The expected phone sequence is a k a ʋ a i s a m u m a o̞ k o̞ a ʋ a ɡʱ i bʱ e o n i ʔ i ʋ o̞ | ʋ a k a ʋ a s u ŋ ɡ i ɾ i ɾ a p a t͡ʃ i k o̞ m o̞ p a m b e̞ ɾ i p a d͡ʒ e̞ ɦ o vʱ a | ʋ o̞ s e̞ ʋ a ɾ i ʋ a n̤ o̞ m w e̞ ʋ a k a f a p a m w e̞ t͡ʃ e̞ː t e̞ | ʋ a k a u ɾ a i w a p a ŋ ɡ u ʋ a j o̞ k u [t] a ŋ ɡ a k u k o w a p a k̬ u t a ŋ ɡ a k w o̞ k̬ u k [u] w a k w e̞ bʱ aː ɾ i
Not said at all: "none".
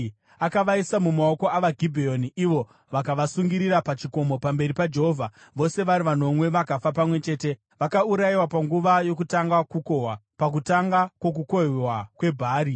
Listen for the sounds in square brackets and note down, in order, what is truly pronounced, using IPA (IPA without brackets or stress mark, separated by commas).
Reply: t, o